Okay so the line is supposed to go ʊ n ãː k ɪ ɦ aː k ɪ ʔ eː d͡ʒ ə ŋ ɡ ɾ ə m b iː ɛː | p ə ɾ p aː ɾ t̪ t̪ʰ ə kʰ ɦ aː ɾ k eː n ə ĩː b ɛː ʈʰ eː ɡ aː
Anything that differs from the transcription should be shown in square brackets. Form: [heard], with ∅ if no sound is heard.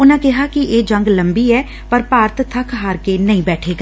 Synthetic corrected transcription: ʊ n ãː k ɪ ɦ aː k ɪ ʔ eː d͡ʒ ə ŋ ɡ [l] ə m b iː ɛː | p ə ɾ p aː ɾ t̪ t̪ʰ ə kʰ ɦ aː ɾ k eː n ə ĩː b ɛː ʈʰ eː ɡ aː